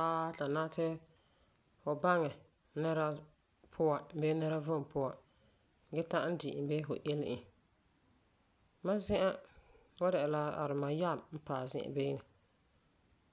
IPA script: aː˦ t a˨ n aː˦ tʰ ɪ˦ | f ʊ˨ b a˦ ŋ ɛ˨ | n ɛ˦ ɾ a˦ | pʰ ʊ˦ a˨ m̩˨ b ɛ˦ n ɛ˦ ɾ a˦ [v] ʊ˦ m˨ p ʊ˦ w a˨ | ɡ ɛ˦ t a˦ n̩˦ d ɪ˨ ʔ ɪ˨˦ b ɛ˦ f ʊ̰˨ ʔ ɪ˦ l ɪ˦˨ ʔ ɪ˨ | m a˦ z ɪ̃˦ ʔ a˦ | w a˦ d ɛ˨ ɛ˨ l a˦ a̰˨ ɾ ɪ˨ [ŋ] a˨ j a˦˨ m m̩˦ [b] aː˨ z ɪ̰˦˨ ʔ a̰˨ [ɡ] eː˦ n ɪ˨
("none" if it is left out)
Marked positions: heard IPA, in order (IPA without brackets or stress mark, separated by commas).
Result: v, m, p, b